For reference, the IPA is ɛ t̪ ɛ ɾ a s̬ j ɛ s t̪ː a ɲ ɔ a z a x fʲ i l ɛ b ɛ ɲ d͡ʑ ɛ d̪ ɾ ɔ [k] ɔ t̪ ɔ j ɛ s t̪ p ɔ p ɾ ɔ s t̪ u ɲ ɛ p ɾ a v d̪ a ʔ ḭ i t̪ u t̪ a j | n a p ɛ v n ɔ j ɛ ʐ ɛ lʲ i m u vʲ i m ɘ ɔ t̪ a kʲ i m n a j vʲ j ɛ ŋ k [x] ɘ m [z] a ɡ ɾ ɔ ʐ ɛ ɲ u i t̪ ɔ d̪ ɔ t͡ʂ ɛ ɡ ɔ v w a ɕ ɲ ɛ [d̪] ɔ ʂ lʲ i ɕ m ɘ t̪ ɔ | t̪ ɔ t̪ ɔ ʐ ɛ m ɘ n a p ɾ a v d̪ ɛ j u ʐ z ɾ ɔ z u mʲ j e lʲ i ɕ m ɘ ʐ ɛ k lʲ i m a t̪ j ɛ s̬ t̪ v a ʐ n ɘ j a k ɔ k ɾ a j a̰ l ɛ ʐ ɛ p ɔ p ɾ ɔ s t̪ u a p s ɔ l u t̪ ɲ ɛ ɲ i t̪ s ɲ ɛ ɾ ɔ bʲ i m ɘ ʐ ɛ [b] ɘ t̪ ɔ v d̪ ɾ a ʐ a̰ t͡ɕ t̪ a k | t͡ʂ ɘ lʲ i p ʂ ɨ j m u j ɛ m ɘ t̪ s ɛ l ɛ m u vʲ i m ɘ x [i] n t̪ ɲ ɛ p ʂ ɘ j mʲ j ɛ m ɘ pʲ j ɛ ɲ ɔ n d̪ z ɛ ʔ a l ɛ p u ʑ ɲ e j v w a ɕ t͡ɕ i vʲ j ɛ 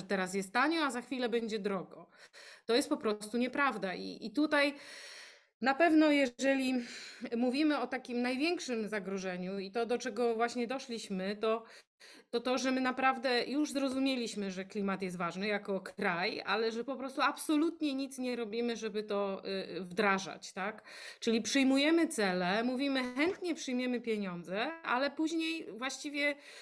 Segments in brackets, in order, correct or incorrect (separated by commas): incorrect, incorrect, correct, correct, correct, incorrect